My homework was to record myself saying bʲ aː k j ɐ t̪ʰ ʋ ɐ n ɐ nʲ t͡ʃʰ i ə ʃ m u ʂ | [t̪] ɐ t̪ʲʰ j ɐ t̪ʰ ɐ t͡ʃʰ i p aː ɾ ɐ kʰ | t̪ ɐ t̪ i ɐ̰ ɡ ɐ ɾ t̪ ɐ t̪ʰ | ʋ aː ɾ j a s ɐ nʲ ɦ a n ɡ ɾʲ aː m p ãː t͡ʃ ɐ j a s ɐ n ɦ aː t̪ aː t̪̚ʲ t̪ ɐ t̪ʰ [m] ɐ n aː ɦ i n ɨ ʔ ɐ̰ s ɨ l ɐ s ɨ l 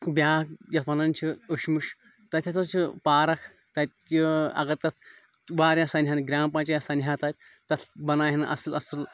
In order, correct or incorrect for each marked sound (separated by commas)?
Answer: correct, incorrect